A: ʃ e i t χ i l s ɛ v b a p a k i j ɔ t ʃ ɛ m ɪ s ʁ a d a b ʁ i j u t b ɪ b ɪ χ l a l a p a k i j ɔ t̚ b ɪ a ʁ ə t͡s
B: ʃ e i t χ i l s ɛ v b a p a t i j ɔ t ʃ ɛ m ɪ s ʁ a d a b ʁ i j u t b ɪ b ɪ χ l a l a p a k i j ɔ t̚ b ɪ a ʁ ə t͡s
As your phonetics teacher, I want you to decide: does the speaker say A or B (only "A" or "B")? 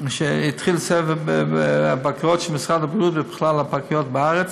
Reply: A